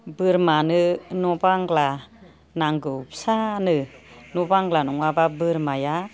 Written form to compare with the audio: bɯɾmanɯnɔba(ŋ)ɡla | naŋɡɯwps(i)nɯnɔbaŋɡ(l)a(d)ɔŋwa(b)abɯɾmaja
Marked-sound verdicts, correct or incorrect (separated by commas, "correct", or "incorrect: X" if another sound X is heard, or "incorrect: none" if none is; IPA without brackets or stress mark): correct, incorrect: a, correct, incorrect: n, correct